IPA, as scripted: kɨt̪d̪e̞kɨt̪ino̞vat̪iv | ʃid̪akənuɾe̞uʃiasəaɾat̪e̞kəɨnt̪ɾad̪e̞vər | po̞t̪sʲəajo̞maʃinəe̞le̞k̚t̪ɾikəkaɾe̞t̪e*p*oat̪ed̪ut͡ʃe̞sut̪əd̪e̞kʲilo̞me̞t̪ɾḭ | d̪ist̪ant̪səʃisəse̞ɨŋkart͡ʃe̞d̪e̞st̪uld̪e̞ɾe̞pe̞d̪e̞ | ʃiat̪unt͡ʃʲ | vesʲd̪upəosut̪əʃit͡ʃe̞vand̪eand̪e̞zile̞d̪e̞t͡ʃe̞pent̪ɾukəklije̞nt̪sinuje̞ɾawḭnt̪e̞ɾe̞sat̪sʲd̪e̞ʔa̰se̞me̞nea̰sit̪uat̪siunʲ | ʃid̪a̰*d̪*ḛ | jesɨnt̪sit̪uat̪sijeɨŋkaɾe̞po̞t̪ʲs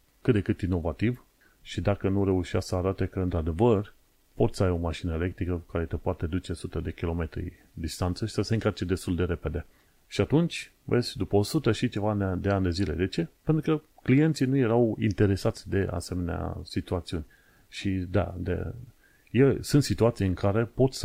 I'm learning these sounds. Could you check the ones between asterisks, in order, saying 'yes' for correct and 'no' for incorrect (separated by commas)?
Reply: yes, yes